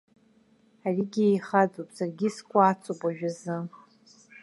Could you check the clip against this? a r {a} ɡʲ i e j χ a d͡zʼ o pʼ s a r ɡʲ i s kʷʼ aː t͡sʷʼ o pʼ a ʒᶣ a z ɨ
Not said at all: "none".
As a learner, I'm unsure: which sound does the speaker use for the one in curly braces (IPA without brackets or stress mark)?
i